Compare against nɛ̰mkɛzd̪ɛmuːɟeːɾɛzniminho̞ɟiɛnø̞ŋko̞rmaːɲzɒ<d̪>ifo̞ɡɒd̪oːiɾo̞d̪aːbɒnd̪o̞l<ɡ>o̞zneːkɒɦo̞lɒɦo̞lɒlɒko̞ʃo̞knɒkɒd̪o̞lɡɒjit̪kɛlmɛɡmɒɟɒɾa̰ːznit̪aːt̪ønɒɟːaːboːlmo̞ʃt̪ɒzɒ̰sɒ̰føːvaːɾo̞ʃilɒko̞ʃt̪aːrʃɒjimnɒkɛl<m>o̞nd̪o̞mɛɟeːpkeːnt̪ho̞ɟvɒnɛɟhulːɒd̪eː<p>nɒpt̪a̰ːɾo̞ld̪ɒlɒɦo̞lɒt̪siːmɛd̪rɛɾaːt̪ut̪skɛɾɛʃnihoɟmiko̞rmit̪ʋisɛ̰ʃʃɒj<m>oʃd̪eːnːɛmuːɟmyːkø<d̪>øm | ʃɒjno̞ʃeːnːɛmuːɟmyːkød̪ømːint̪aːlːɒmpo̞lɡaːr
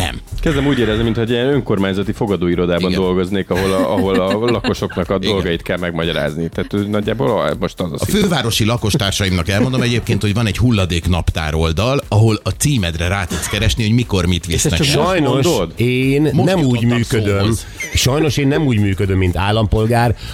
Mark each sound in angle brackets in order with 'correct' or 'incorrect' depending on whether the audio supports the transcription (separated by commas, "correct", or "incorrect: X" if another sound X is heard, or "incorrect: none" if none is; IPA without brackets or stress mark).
incorrect: t̪, correct, correct, incorrect: k, incorrect: n, correct